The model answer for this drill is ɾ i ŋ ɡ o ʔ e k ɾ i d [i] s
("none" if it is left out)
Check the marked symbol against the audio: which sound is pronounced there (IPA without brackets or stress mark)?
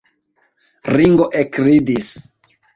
i